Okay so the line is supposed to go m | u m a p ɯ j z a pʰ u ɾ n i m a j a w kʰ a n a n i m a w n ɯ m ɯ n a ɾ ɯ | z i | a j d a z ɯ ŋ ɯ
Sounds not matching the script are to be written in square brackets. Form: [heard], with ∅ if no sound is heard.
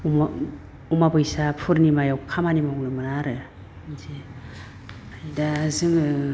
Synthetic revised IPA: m | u m a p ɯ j [s] a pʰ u ɾ n i m a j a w kʰ a [m] a n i m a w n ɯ m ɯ n a ɾ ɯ | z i | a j d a z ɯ ŋ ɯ

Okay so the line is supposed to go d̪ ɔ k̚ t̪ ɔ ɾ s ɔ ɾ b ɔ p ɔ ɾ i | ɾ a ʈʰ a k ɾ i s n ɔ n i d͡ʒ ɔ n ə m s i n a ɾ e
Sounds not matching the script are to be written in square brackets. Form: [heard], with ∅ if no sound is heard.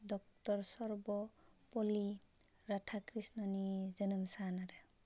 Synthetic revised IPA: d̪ ɔ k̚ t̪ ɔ ɾ s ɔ ɾ b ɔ p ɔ [l] i | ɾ a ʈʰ a k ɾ i s n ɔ n i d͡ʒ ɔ n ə m s [a] n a ɾ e

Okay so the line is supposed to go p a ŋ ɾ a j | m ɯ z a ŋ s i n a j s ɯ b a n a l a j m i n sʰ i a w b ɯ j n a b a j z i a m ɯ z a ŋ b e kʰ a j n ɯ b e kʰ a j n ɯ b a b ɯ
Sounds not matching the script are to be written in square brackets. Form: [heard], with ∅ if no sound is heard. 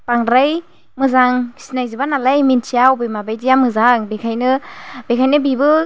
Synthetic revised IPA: p a ŋ ɾ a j | m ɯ z a ŋ s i n a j [z] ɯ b a n a l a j m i n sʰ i a w b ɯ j [m] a b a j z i a m ɯ z a ŋ b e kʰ a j n ɯ b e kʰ a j n ɯ b [i] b ɯ

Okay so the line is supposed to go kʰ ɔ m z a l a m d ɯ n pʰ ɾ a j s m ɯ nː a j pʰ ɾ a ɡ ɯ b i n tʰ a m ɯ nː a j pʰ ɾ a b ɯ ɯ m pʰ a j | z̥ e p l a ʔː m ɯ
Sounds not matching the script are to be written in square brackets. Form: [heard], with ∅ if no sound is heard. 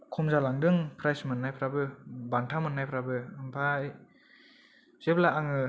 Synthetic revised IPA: kʰ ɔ m z a l a [ŋ] d ɯ [ŋ] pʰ ɾ a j s m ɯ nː a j pʰ ɾ a [b] ɯ b [a] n tʰ a m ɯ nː a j pʰ ɾ a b ɯ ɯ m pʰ a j | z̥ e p l a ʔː [ŋ] ɯ

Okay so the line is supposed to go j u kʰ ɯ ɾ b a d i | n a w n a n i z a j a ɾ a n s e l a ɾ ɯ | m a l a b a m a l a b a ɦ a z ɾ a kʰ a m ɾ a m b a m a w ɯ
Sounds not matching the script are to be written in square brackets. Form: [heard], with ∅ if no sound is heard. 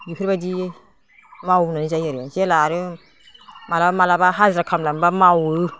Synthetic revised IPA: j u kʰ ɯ ɾ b a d i | [m] a w n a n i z a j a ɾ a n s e l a ɾ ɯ | m a l a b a m a l a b a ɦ a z ɾ a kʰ a m [l] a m b a m a w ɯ

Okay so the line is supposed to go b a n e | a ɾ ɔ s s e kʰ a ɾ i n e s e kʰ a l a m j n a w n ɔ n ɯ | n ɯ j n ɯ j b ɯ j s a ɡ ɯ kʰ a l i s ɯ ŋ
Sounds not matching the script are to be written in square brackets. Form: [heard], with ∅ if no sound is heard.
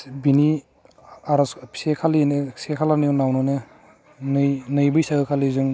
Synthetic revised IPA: b [i] n [i] | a ɾ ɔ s s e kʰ a [l] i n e s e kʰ a l a [n] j n a w n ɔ n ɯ | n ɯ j n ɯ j b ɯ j s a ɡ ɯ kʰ a l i [z] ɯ ŋ

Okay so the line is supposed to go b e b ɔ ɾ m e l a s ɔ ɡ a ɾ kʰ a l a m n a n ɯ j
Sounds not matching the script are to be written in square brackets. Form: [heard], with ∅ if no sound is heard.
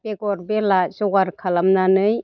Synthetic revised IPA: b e [ɡ] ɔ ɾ [b] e l a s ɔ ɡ a ɾ kʰ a l a m n a n ɯ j

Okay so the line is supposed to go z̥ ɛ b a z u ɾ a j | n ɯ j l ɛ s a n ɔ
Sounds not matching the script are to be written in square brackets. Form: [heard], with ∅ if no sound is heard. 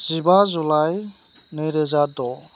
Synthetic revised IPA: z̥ [i] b a z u [l] a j | n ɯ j [ɾ] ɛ [z] a [d] ɔ

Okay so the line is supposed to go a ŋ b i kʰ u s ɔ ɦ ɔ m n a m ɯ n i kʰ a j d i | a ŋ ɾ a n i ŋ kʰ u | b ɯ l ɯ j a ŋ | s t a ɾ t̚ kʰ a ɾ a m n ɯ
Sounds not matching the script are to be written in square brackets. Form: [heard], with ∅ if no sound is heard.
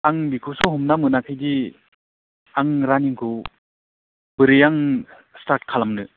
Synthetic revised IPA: a ŋ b i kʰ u s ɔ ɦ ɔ m n a m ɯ n [a] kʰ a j d i | a ŋ ɾ a n i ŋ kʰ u | b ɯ [ɾ] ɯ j a ŋ | s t a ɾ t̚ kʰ a [l] a m n ɯ

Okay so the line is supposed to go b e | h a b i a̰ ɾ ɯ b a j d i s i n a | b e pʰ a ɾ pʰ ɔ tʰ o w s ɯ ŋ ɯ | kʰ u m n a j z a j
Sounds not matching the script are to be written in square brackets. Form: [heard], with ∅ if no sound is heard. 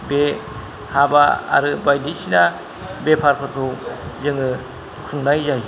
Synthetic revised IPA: b e | h a b [a] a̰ ɾ ɯ b a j d i s i n a | b e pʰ a ɾ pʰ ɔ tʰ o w [z] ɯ ŋ ɯ | kʰ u [ŋ] n a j z a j

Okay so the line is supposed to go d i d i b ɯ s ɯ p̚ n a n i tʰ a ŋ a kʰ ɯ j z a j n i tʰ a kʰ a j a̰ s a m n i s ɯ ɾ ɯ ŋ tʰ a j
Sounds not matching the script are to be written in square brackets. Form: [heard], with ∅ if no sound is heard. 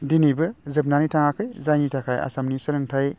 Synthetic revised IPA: d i [n] i b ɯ [z] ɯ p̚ n a n i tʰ a ŋ a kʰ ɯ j z a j n i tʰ a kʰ a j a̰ s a m n i s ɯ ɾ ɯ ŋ tʰ a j

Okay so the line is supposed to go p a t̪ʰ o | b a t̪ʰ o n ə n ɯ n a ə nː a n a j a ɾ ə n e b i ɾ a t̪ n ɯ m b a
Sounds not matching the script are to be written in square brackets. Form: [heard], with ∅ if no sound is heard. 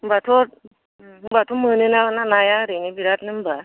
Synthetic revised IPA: [b] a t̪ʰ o | b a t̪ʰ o [m] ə n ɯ n a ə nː a n a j a ɾ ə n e b i ɾ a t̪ n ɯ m b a

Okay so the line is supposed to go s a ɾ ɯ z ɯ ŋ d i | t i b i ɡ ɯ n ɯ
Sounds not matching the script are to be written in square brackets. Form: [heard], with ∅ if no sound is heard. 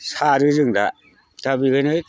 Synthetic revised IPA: s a ɾ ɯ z ɯ ŋ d [a] | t [a] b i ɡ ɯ n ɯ

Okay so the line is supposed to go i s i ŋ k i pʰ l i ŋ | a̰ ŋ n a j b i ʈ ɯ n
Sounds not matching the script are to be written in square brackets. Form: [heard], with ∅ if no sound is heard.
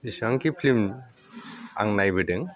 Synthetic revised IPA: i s [a] ŋ k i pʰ l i [m] | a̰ ŋ n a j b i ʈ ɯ [ŋ]

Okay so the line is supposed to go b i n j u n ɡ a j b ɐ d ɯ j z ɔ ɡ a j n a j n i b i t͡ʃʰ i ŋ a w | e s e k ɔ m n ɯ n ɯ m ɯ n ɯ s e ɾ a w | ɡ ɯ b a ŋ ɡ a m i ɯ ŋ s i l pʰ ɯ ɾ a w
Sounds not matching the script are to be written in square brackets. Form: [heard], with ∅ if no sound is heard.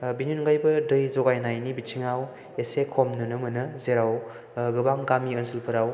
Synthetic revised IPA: b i n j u n ɡ a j b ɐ d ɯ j z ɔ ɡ a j n a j n i b i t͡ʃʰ i ŋ a w | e s e [kʰ] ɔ m n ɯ n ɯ m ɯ n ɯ [z] e ɾ a w | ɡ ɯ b a ŋ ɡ a m i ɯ [n] s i l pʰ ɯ ɾ a w

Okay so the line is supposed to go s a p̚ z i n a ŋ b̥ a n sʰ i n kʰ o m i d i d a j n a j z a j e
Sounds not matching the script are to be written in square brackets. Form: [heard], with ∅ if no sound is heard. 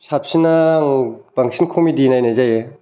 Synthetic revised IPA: s a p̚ [s] i n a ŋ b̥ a [ŋ] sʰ i n kʰ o m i d i [n] a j n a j z a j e

